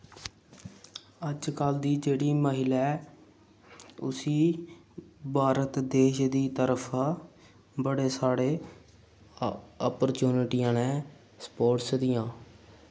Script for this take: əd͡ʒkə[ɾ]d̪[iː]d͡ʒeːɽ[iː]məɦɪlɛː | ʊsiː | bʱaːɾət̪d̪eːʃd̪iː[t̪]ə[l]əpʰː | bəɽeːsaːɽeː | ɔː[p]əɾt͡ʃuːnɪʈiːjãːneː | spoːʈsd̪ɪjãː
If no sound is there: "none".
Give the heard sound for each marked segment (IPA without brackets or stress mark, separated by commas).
l, iː, iː, t̪, ɾ, p